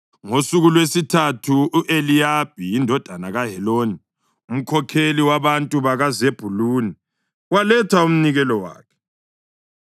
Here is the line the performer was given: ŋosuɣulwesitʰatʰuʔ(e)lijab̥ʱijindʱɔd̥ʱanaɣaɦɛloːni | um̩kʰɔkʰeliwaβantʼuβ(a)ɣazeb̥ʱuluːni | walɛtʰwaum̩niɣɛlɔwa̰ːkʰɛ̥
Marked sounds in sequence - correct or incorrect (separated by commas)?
correct, correct